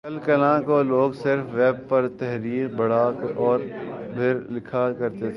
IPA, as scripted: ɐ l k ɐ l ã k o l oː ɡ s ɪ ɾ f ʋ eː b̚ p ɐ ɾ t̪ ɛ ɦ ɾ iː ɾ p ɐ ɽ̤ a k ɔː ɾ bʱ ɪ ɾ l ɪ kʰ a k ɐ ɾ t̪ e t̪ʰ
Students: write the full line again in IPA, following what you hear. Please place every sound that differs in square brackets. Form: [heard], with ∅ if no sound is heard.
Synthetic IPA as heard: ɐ l k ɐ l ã k o l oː ɡ s ɪ ɾ f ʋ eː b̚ p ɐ ɾ t̪ ɛ ɦ ɾ iː ɾ [b] ɐ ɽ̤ a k ɔː ɾ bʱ ɪ ɾ l ɪ kʰ a k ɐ ɾ t̪ e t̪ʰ